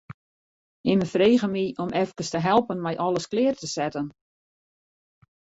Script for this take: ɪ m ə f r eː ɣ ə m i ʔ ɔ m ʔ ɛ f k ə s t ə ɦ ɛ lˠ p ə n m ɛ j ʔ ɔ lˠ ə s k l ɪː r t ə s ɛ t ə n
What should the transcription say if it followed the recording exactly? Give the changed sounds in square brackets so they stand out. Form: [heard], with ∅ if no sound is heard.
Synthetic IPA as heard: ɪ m ə f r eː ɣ ə m i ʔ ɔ m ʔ ɛ f k ə s t ə ɦ ɛ lˠ p ə n m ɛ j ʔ ɔ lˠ ə s k l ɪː r t ə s ɛ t ə n